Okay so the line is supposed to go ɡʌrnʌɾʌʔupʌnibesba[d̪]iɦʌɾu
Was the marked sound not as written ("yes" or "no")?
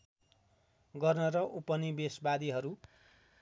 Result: no